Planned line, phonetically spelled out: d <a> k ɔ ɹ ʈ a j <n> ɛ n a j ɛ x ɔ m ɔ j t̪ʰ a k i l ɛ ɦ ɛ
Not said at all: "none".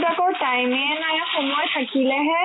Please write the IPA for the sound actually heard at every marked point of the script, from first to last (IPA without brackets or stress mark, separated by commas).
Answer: a, m